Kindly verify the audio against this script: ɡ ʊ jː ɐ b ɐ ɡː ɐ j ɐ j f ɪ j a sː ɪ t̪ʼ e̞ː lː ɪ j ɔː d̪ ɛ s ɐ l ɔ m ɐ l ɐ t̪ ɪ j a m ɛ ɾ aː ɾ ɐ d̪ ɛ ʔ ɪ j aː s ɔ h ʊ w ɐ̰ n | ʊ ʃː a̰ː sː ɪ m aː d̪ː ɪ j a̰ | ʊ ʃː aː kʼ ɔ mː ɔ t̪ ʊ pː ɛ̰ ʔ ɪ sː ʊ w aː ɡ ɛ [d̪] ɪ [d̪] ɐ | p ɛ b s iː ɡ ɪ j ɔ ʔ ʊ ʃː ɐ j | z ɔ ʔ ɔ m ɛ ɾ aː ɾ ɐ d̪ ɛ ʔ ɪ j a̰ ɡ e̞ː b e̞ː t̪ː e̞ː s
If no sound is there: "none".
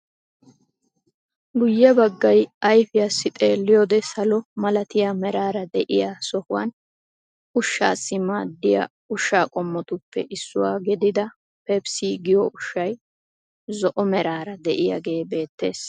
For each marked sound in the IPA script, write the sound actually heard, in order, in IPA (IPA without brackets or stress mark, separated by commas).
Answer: d̪, d̪